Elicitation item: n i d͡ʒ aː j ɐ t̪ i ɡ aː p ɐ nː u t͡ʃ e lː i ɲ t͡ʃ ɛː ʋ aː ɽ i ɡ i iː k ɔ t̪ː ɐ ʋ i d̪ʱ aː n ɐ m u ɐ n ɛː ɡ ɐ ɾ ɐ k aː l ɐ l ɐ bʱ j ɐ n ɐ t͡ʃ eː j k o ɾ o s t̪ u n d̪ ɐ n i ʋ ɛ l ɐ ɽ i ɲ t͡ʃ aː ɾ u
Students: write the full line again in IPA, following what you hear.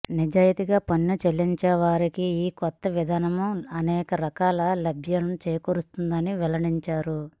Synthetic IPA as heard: n i d͡ʒ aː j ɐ t̪ i ɡ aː p ɐ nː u t͡ʃ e lː i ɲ t͡ʃ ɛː ʋ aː ɾ i k i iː k ɔ t̪ː ɐ ʋ i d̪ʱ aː n ɐ m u ɐ n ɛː k ɐ ɾ ɐ k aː l ɐ l ɐ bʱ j ɐ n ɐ t͡ʃ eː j k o ɾ u s t̪ u n d̪ ɐ n i ʋ ɛ l ɐ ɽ i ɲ t͡ʃ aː ɾ u